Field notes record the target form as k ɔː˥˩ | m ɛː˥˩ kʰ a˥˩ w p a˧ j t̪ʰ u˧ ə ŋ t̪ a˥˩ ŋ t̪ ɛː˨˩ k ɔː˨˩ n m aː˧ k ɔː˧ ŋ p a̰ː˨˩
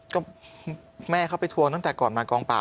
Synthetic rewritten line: k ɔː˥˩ | m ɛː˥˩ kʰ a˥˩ w p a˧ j t̪ʰ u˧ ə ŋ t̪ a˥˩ ŋ t̪ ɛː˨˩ k ɔː˨˩ n m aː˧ k ɔː˧ ŋ p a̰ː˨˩